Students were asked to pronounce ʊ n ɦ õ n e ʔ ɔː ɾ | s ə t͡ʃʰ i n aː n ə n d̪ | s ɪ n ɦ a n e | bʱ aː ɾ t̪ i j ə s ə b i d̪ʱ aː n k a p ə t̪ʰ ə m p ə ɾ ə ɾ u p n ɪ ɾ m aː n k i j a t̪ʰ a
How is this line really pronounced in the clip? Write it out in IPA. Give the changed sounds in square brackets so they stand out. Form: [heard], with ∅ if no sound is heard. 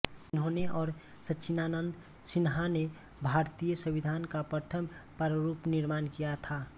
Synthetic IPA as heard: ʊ n ɦ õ n e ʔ ɔː ɾ | s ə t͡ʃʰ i n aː n ə n d̪ | s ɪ n ɦ a n e | bʱ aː ɾ t̪ i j ə s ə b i d̪ʱ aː n k a p ə t̪ʰ ə m p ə ɾ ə ɾ u p n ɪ ɾ m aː n k i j a t̪ʰ a